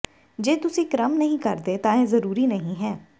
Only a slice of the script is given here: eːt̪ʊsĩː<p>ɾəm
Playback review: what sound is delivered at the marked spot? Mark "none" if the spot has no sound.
k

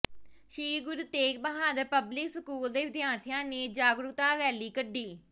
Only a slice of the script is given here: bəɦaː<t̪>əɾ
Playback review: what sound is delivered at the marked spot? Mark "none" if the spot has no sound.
d̪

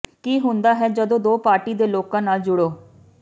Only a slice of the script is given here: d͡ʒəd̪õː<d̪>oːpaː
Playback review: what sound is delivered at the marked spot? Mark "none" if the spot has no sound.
d̪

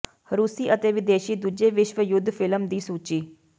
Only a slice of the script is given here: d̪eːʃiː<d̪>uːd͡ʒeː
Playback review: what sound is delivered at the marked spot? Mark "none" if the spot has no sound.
d̪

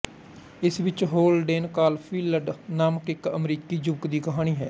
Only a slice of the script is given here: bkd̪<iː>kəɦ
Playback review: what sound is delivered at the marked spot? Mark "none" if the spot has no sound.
iː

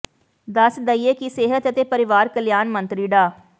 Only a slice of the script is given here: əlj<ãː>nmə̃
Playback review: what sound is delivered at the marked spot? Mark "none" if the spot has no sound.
aː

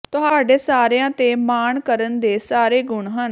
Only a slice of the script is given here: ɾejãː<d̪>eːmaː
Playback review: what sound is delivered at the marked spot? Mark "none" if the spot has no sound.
t̪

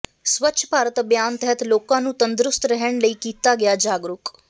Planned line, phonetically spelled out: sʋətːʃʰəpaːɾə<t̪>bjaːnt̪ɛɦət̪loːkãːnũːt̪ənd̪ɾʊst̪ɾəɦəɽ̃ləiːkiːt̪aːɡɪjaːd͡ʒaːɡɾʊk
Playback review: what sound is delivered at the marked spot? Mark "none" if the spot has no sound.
t̪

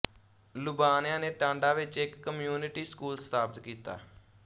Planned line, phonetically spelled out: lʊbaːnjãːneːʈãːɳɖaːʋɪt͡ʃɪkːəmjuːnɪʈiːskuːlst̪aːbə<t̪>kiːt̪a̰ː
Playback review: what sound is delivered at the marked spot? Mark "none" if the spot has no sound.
t̪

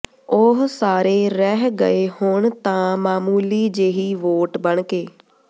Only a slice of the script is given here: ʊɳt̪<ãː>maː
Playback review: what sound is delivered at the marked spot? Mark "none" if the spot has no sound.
ãː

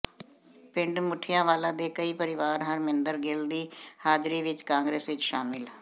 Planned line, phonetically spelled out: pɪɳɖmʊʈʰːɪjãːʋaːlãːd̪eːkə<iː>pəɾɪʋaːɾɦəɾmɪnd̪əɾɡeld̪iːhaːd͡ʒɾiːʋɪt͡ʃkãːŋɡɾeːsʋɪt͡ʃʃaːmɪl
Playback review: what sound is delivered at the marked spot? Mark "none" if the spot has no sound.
iː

